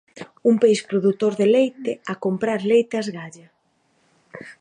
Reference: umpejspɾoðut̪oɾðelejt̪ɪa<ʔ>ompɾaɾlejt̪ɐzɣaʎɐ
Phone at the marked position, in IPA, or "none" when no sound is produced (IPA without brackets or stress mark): k